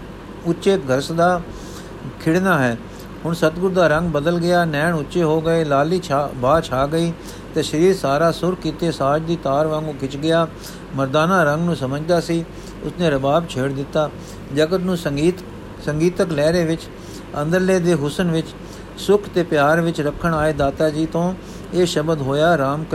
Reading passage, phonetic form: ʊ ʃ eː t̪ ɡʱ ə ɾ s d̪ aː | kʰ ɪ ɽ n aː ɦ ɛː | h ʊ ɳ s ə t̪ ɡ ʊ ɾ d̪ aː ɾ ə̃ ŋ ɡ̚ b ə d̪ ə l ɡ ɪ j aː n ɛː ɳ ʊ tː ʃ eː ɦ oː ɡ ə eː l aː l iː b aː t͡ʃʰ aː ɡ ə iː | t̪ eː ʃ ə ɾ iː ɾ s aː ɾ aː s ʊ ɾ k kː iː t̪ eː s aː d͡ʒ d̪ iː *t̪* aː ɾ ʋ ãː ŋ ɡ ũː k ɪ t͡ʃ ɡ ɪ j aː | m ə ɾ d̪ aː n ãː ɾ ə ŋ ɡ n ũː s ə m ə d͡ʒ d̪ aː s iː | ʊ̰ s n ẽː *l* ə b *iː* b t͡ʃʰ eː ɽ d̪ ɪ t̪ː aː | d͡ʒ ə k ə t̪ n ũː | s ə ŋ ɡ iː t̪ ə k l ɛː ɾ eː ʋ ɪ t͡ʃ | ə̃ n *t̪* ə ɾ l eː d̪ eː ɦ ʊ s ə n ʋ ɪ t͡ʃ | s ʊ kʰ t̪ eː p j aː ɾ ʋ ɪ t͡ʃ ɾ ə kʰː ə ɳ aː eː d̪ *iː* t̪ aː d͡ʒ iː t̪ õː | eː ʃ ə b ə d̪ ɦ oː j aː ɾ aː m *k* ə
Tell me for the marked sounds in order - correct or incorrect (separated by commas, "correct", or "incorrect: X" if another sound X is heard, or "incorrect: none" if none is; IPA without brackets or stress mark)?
correct, incorrect: ɾ, incorrect: aː, incorrect: d̪, incorrect: aː, correct